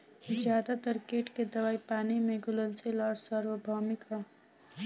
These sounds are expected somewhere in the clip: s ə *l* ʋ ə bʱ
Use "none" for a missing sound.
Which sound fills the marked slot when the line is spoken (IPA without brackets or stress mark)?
ɾ